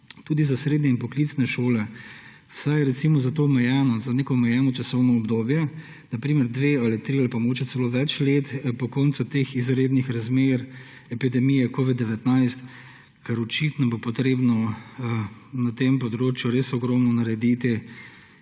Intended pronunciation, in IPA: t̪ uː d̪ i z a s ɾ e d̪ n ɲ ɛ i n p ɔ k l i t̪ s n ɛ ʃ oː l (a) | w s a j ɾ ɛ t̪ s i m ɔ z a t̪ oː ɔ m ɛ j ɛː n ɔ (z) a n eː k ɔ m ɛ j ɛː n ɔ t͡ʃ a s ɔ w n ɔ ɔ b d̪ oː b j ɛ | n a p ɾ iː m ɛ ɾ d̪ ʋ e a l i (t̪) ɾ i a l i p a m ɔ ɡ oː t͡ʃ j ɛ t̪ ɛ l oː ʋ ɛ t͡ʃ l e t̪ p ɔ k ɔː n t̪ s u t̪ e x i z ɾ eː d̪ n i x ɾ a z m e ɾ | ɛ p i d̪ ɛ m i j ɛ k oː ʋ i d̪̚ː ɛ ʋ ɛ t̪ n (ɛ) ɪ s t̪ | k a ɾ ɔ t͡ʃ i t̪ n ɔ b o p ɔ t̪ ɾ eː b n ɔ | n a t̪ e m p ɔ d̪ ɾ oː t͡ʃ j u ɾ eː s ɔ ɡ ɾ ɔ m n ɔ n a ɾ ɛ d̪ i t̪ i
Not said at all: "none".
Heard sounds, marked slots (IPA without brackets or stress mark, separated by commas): ɛ, z, t̪, a